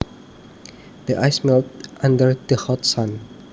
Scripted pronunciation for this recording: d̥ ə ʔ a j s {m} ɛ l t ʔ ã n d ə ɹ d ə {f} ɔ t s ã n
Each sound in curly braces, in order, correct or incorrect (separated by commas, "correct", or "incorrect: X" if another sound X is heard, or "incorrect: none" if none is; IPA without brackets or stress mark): correct, incorrect: h